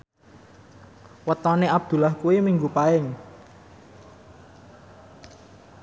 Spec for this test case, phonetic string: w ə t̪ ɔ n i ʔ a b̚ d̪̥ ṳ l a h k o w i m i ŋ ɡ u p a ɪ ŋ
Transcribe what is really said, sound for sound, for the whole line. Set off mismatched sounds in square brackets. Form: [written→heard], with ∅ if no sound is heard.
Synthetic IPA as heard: w ə t̪ ɔ n [i→e] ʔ a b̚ d̪̥ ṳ l a h k [o→u] w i m i ŋ ɡ u p a ɪ ŋ